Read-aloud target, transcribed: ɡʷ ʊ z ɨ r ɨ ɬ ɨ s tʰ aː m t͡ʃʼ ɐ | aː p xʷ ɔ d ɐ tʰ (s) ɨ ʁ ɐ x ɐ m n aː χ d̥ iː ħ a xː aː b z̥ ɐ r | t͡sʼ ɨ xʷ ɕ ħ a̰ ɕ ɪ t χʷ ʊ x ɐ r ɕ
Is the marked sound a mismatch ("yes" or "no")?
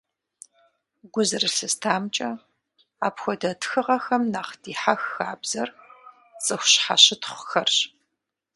yes